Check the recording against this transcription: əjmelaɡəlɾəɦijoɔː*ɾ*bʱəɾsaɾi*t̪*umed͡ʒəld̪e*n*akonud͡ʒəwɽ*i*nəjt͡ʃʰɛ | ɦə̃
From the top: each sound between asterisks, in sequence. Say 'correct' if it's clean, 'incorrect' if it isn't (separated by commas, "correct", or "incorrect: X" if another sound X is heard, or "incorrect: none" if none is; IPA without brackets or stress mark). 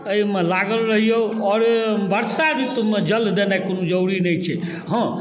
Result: correct, correct, correct, correct